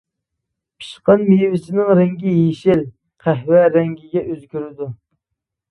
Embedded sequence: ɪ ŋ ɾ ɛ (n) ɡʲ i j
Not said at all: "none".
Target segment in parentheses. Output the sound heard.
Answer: ŋ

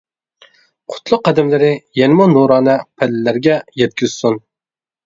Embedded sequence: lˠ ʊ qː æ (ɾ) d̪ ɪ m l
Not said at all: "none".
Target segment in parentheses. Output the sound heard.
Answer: none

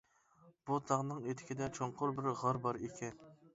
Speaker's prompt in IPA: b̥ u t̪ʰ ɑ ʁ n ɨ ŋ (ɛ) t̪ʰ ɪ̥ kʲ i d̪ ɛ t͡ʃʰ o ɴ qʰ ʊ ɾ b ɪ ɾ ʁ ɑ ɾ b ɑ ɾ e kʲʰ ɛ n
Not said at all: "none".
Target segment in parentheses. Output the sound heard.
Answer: e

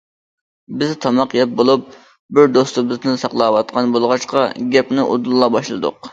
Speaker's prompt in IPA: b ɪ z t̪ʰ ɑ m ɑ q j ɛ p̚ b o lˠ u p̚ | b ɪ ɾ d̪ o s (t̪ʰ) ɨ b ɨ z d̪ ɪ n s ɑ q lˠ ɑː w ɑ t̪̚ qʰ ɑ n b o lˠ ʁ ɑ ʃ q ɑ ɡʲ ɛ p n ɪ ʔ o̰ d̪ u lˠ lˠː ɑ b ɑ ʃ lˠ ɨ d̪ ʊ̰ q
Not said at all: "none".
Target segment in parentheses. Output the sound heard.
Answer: t̪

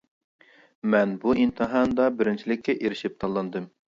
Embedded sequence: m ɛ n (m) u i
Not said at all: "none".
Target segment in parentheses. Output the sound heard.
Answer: b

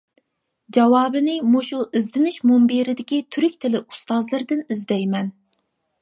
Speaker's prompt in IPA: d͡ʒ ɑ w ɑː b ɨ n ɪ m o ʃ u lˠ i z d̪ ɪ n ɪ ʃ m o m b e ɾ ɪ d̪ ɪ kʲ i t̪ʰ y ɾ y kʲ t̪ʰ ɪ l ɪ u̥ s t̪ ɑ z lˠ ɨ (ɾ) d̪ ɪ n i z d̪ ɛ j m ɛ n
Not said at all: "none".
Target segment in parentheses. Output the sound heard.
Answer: ɾ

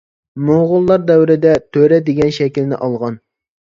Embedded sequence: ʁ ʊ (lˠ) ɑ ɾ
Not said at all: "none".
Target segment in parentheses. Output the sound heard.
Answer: lˠː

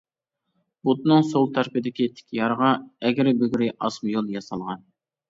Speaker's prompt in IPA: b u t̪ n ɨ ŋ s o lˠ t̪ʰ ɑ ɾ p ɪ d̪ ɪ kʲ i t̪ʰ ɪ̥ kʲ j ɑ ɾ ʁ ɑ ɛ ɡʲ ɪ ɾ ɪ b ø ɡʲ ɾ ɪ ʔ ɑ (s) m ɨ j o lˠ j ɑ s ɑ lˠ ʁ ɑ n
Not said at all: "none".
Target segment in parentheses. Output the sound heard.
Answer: s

